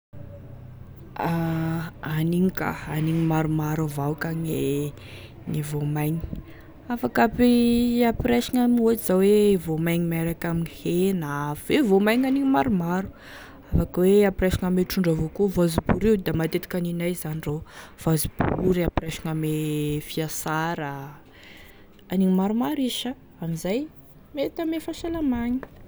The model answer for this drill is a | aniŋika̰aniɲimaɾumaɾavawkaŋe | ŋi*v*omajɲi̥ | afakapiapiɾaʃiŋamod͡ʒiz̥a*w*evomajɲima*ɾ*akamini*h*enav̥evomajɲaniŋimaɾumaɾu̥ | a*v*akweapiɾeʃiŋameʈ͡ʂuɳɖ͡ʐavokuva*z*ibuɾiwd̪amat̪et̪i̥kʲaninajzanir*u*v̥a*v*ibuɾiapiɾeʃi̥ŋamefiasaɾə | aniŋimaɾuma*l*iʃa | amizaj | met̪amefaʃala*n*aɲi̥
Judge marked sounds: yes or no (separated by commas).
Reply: yes, yes, yes, yes, no, yes, no, no, no, no